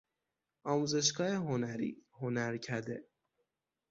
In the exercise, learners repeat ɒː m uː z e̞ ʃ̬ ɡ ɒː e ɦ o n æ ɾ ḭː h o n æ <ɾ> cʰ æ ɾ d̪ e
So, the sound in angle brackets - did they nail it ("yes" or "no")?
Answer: yes